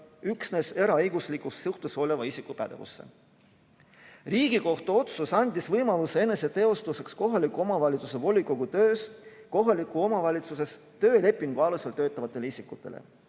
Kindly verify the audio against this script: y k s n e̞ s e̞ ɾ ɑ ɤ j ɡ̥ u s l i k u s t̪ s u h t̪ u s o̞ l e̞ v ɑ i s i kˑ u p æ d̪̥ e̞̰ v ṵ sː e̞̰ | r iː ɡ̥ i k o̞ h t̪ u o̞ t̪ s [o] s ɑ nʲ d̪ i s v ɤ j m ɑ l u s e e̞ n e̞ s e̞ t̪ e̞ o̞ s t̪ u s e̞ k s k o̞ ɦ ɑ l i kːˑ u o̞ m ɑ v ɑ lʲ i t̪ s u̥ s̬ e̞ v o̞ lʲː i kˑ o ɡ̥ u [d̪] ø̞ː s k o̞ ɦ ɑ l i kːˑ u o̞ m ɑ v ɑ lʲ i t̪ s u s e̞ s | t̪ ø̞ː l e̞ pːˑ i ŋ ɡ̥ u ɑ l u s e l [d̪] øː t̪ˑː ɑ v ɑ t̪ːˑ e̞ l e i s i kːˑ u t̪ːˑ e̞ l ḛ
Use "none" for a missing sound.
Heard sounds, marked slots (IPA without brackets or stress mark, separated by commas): u, t̪, t̪